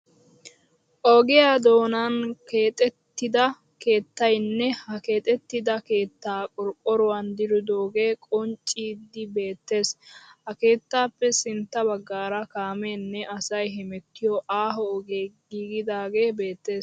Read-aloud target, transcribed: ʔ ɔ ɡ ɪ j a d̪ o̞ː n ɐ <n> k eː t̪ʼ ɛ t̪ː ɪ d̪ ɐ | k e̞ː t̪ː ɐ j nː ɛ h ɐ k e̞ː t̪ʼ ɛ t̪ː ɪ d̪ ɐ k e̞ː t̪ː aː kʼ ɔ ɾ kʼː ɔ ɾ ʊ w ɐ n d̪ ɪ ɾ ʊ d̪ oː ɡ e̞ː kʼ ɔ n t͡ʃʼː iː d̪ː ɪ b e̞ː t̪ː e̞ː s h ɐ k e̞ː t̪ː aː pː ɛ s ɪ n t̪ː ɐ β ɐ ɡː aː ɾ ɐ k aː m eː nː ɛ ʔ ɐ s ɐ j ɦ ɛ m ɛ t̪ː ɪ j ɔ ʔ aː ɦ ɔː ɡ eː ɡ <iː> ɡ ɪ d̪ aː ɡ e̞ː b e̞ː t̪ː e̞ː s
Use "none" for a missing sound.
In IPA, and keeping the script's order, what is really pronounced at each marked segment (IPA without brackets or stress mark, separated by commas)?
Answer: n, iː